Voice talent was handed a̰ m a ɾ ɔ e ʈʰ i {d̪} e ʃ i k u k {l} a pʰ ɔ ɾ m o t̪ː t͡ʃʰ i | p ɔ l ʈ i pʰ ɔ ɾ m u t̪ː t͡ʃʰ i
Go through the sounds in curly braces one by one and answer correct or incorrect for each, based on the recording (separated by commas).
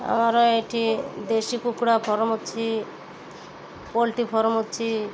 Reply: correct, incorrect